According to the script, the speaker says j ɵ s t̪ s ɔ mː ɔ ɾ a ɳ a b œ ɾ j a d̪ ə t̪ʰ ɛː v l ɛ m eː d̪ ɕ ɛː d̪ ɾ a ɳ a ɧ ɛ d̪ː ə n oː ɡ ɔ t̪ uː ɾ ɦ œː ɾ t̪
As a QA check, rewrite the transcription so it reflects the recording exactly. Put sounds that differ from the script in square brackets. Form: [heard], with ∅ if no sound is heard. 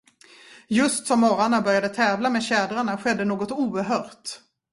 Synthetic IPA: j ɵ s t̪ s ɔ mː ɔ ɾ a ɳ a b œ ɾ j a d̪ ə t̪ʰ ɛː v l [a] m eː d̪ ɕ ɛː d̪ ɾ a ɳ a ɧ ɛ d̪ː ə n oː ɡ ɔ t̪ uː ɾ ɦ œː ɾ t̪

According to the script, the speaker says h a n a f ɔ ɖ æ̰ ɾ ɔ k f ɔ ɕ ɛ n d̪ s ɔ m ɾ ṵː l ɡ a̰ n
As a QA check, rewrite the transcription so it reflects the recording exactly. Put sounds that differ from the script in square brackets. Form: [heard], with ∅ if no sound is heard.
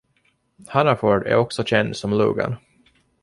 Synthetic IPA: h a n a f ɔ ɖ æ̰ ɾ ɔ k [s] ɔ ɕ ɛ n d̪ s ɔ m [l] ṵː [∅] ɡ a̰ n

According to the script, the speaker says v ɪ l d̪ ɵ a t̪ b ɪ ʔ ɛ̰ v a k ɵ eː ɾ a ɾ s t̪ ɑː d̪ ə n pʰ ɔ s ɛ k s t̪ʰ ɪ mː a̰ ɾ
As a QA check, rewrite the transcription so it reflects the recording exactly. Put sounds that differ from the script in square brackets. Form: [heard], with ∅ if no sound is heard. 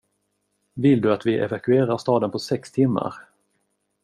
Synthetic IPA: v ɪ l d̪ ɵ a t̪ [v] ɪ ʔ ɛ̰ v a k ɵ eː ɾ a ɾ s t̪ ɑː d̪ ə n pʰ ɔ s ɛ k s t̪ʰ ɪ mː a̰ ɾ

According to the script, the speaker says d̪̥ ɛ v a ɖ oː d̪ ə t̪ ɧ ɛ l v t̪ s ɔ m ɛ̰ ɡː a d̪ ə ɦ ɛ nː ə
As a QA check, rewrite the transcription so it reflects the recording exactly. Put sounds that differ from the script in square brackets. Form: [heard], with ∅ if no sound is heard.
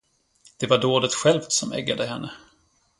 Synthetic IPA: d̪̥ ɛ v a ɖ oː d̪ ə t̪ ɧ ɛ l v t̪ s ɔ m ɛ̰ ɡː a d̪ ə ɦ ɛ nː ə

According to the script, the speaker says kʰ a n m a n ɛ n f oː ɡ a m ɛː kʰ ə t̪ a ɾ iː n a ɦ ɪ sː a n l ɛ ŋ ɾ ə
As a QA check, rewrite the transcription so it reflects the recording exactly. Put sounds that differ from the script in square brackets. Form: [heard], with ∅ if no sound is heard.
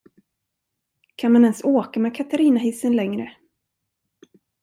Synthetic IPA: kʰ a n m a n ɛ n [s] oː [k] a m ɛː kʰ [a] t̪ a ɾ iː n a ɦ ɪ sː [ə] n l ɛ ŋ ɾ ə

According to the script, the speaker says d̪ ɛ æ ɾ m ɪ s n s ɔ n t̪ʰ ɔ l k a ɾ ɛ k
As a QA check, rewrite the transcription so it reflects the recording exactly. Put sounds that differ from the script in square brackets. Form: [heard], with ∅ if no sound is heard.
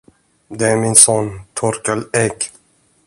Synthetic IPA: d̪ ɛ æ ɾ m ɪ [∅] n s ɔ n t̪ʰ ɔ [ɾ] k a [l] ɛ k

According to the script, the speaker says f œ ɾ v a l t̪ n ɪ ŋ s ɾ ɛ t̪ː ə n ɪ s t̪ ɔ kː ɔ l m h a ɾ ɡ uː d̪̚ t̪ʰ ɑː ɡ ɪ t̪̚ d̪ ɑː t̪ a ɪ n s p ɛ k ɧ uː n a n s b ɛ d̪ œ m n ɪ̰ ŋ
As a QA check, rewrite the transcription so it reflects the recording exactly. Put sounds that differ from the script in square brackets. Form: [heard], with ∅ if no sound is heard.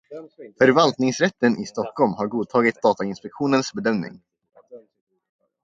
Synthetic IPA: f œ ɾ v a l t̪ n ɪ ŋ s ɾ ɛ t̪ː ə n ɪ s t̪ ɔ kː ɔ l m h a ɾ ɡ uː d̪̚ t̪ʰ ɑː ɡ ɪ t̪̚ d̪ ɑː t̪ a ɪ n s p ɛ k ɧ uː n [ə] n s b ɛ d̪ œ m n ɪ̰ ŋ

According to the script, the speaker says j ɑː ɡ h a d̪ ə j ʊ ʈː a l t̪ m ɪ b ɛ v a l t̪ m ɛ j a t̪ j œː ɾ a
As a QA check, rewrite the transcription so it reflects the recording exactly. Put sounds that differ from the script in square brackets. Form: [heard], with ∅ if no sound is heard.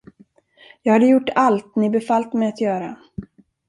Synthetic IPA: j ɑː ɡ h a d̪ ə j ʊ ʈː a l t̪ [n] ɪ b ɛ [f] a l t̪ m ɛ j a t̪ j œː ɾ a

